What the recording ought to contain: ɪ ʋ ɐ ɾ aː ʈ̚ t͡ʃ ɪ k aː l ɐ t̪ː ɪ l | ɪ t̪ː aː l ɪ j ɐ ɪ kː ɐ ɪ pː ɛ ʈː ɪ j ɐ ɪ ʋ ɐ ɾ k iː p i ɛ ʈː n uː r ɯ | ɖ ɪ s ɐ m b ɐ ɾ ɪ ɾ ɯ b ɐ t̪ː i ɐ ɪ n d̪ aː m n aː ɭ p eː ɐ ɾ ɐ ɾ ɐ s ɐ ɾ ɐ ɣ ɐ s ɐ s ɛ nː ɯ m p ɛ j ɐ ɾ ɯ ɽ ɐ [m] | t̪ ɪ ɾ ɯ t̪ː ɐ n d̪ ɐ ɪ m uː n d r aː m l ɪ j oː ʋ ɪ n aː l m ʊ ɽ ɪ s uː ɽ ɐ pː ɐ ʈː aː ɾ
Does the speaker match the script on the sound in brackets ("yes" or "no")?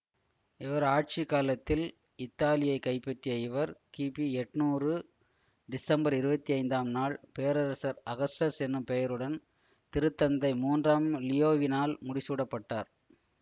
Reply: no